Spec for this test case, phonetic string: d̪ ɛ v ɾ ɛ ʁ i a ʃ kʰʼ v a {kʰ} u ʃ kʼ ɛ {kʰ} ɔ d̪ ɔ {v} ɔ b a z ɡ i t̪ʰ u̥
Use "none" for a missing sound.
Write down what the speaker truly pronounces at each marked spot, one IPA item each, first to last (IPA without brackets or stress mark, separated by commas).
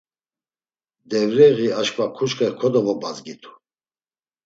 kʰ, kʰ, v